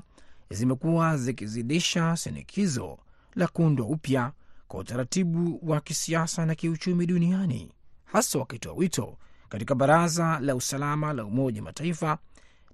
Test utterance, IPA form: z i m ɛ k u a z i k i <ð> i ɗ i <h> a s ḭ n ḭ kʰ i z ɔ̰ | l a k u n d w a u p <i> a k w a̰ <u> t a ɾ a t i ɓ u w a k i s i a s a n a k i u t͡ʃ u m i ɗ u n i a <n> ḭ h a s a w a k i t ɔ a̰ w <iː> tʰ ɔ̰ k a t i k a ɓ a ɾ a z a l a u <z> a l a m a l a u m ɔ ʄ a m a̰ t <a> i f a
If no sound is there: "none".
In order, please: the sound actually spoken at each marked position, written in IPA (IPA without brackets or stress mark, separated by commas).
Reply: z, ʃ, j, u, n, i, s, a